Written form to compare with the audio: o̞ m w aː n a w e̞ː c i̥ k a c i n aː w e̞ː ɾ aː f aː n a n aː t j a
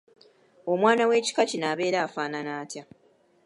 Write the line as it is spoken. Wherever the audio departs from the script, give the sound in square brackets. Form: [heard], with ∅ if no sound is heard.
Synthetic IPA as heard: o̞ m w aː n a w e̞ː c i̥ k a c i n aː [β] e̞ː ɾ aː f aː n a n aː t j a

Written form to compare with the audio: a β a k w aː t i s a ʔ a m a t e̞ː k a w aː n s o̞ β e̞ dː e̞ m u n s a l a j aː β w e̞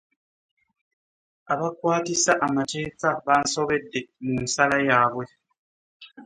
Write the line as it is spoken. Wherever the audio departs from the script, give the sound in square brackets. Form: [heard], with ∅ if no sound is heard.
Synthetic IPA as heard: a β a k w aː t i s a ʔ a m a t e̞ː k a [β] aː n s o̞ β e̞ dː e̞ m u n s a l a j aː β w e̞

